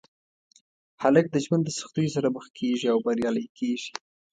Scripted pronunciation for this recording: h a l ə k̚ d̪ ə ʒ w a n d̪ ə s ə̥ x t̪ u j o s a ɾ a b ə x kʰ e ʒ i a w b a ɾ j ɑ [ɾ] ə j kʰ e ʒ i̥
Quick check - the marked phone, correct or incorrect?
incorrect